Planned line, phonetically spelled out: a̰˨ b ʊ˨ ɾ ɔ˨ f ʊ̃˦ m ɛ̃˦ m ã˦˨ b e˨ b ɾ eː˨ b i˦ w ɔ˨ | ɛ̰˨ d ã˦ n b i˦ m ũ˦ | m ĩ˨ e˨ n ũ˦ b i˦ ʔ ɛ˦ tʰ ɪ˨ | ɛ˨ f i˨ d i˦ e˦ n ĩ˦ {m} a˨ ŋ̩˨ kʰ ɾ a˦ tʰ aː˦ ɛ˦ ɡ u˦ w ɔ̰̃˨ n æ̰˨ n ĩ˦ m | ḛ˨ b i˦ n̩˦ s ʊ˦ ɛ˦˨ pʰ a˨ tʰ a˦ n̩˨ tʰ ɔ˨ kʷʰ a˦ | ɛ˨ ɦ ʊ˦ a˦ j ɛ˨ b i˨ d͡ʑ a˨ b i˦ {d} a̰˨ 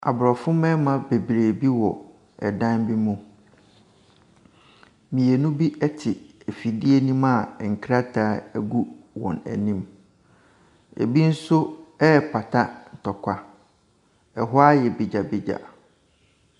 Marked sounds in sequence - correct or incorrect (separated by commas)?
correct, incorrect